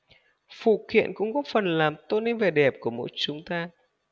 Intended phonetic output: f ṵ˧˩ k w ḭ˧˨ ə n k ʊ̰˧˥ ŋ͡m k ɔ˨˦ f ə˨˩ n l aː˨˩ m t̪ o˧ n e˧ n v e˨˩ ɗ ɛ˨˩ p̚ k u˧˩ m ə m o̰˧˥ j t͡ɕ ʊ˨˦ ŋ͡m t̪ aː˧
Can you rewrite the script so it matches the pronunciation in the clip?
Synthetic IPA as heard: f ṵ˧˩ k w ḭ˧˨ ə n k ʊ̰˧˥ ŋ͡m k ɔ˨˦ f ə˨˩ n l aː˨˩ m t̪ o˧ n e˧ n v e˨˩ ɗ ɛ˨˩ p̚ k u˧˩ ə m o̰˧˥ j t͡ɕ ʊ˨˦ ŋ͡m t̪ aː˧